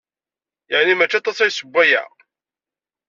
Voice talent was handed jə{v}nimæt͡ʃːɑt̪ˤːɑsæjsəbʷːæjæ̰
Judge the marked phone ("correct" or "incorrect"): incorrect